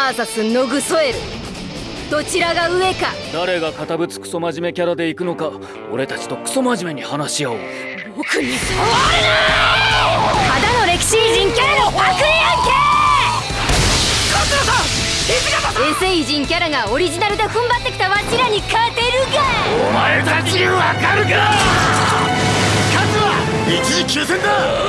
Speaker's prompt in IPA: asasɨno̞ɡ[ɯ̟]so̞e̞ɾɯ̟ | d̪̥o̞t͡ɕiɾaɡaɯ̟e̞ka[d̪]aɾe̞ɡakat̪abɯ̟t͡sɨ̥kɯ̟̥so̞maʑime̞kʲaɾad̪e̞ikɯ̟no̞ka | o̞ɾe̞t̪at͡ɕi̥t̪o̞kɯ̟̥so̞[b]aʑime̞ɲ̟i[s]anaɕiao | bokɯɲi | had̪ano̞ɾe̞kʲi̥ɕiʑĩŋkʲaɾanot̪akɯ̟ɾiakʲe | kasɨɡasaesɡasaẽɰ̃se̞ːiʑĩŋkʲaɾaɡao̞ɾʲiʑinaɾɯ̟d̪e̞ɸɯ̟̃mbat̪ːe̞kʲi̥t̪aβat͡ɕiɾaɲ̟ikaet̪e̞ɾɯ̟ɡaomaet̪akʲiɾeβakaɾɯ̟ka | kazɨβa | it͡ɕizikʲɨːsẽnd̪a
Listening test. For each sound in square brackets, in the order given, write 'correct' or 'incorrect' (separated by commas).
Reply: correct, correct, incorrect, incorrect